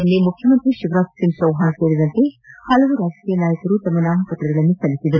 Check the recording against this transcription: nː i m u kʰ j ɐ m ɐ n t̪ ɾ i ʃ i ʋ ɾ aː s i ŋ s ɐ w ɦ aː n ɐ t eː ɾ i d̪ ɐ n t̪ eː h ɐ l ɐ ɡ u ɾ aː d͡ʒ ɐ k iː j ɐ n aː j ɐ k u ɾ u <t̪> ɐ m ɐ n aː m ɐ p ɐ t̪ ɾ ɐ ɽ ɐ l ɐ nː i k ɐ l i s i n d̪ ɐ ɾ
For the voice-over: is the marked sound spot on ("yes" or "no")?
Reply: yes